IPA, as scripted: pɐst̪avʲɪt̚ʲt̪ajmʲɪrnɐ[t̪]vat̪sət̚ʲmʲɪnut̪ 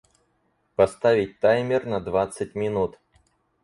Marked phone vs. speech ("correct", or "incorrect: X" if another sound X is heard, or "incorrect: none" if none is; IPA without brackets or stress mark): incorrect: d̪